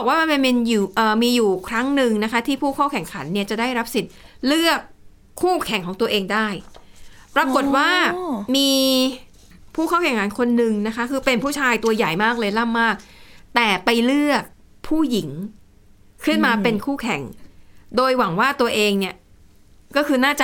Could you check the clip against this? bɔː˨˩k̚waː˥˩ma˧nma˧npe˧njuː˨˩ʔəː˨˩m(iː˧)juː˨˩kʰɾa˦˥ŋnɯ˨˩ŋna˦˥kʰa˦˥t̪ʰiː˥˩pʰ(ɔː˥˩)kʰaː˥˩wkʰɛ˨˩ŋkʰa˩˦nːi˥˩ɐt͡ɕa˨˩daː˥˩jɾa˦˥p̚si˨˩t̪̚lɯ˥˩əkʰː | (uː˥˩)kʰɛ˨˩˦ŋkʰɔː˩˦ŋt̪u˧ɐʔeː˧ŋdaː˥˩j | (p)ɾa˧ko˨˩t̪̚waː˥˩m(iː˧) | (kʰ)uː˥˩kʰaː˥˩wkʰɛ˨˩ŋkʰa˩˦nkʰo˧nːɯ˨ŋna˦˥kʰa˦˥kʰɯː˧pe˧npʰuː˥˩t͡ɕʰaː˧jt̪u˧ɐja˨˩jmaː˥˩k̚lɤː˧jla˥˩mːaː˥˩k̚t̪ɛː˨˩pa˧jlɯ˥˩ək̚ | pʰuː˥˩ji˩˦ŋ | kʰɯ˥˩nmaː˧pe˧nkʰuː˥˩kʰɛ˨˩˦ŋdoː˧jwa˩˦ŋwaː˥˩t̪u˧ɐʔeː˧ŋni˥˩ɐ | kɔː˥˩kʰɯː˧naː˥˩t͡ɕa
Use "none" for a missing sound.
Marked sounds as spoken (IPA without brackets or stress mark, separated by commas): iː˧, uː˥˩, uː˥˩, p, iː˧, pʰ